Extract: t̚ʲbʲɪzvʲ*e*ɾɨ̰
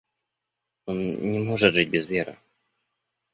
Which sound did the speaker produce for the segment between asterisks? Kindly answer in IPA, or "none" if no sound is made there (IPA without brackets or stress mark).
e